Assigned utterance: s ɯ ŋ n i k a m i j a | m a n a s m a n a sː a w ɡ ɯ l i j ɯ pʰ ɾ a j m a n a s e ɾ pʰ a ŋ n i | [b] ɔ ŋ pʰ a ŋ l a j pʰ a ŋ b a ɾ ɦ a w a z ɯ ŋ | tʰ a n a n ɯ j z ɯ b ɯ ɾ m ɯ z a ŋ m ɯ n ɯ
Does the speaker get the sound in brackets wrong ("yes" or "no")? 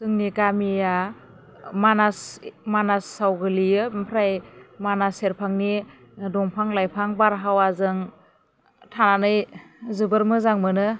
yes